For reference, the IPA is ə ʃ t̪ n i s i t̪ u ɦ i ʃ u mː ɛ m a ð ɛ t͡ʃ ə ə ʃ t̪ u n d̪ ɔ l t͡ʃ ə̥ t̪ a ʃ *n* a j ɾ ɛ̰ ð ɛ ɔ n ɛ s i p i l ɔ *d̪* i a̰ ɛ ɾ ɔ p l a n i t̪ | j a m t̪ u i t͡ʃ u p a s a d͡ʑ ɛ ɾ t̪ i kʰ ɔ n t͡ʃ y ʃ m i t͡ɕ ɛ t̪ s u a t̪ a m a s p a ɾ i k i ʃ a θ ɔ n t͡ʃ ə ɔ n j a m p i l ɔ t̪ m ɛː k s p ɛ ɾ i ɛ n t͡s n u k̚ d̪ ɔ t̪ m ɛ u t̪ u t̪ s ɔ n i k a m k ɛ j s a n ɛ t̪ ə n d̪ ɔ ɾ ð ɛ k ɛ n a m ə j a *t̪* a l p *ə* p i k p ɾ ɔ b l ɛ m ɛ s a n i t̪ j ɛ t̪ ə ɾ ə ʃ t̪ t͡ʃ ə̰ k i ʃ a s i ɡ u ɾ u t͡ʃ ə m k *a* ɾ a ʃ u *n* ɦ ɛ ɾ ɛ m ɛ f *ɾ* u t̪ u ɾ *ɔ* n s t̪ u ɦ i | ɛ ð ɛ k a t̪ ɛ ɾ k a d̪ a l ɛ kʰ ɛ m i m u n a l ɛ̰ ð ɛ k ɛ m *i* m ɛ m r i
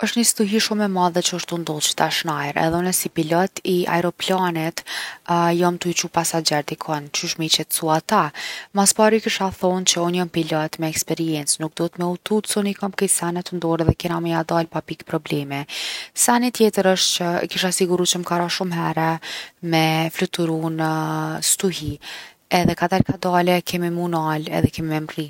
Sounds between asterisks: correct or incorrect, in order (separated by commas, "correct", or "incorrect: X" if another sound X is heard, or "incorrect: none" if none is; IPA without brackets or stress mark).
correct, incorrect: t̪, incorrect: d̪, incorrect: a, correct, incorrect: m, incorrect: l, incorrect: u, correct